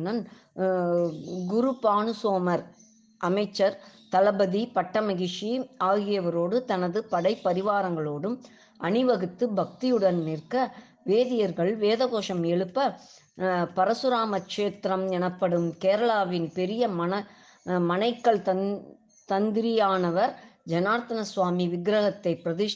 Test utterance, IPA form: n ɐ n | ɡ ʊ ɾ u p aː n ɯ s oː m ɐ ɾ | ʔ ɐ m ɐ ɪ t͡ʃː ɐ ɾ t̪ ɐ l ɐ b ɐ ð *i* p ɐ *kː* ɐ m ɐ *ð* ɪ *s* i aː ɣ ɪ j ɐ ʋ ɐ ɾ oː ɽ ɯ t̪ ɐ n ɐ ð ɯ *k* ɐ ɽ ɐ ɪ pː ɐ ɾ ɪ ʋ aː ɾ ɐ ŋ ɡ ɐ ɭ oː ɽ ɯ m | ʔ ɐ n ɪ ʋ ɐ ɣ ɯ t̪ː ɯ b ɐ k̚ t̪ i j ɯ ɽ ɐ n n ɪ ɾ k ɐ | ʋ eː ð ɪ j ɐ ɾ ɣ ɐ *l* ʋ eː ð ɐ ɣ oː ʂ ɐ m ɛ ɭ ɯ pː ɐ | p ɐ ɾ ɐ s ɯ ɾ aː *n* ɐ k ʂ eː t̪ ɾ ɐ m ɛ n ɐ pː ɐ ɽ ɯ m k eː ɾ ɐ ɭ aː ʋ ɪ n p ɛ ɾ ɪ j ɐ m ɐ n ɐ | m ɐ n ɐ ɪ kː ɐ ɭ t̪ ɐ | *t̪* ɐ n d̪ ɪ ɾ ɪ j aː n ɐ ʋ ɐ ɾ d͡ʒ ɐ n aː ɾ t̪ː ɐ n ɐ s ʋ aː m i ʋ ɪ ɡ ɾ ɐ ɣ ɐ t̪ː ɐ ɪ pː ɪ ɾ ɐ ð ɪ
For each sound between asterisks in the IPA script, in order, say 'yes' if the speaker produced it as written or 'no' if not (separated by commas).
yes, no, no, no, no, no, no, yes